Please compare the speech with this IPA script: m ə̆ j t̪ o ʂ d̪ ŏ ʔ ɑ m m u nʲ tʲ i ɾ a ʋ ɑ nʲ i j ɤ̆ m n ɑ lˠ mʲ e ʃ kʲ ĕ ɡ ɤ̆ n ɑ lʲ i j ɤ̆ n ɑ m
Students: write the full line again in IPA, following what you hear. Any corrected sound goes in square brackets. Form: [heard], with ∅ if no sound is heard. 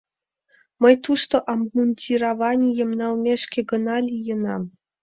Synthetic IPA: m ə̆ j t̪ [u] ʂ [t̪] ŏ ʔ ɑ m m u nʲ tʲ i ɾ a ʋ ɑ nʲ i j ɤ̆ m n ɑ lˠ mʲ e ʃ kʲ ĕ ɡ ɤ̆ n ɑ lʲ i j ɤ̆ n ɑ m